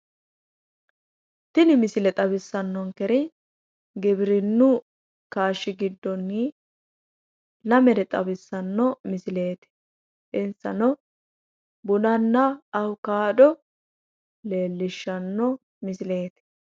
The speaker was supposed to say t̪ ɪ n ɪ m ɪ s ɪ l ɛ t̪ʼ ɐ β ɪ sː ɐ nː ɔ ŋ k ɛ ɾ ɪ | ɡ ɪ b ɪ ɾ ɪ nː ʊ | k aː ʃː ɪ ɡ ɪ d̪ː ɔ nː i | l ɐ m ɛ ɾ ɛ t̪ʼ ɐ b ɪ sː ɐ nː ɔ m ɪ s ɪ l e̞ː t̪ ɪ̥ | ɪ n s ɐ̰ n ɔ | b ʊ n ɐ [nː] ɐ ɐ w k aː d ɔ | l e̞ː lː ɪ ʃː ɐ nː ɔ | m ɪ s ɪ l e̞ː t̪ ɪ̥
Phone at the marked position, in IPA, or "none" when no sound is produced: nː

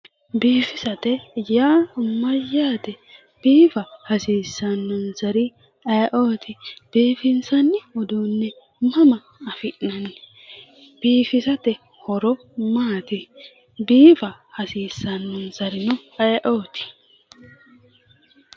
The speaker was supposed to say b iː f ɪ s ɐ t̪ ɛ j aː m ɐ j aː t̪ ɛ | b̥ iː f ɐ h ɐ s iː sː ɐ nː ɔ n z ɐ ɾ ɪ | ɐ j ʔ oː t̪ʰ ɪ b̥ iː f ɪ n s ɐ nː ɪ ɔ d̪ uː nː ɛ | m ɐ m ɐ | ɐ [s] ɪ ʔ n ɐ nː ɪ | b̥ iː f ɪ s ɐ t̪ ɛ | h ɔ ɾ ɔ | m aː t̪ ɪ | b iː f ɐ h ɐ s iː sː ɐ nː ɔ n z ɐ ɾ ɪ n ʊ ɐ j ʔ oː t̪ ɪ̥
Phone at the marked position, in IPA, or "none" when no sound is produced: f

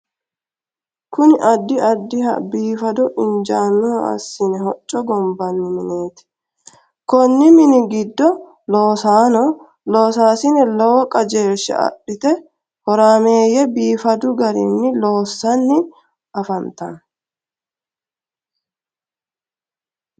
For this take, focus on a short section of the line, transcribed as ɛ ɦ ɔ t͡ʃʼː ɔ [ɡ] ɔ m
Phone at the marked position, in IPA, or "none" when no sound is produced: ɡ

